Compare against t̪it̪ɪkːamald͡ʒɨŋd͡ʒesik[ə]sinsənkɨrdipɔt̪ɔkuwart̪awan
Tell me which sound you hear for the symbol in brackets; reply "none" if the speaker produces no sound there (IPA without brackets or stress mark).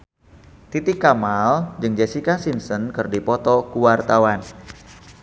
a